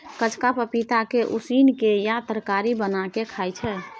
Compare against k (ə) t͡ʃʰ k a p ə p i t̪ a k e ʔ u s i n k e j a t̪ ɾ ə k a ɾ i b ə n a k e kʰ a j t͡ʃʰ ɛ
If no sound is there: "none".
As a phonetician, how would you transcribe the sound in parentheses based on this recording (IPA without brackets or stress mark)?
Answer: ə